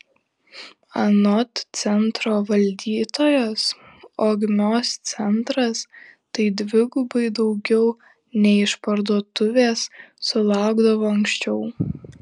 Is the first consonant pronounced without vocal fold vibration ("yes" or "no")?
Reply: no